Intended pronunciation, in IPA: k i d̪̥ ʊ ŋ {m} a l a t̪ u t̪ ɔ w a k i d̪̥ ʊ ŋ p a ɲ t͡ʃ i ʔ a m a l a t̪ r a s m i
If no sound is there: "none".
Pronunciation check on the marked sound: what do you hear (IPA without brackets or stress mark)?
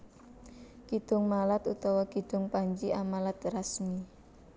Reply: m